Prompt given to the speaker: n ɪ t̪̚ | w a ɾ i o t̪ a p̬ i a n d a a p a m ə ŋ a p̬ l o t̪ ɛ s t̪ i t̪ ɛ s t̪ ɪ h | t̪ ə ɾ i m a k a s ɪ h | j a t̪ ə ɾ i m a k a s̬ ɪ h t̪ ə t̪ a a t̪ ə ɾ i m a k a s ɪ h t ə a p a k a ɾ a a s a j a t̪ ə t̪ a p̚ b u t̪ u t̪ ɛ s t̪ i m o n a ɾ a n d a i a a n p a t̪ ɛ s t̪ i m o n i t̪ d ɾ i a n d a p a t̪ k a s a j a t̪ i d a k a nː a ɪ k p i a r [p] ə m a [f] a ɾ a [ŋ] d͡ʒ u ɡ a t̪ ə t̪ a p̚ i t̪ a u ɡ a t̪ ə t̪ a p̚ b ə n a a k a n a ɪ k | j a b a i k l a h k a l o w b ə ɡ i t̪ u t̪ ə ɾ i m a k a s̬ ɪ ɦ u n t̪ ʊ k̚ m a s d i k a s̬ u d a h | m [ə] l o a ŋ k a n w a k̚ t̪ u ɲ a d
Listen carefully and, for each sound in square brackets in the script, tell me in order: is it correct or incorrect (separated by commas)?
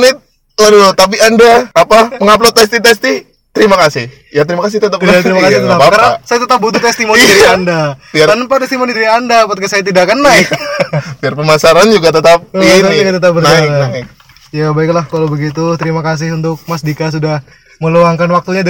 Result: correct, incorrect, incorrect, correct